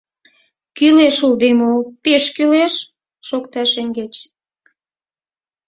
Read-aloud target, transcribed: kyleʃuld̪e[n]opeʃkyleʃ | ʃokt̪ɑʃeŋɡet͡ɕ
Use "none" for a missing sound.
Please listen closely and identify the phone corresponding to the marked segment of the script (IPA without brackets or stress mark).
m